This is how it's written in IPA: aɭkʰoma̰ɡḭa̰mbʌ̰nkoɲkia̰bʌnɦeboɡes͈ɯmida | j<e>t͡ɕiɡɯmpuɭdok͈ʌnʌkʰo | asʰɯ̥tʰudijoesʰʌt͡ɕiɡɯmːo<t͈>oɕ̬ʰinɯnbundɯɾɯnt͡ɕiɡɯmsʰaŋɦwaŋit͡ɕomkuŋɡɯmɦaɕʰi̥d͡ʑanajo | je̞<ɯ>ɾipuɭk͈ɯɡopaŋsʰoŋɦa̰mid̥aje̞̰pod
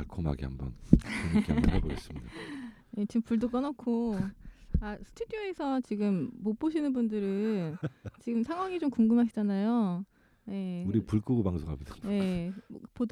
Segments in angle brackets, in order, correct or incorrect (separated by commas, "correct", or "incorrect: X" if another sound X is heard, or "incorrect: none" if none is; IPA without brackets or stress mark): correct, incorrect: p͈, incorrect: u